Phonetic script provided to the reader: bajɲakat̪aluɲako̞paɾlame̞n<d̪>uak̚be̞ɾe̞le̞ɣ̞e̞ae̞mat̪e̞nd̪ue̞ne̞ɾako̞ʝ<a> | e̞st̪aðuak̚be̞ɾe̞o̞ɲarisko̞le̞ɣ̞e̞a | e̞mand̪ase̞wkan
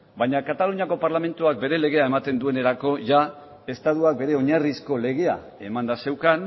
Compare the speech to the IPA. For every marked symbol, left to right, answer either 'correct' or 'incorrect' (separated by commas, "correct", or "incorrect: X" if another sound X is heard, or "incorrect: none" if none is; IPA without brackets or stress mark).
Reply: incorrect: t̪, correct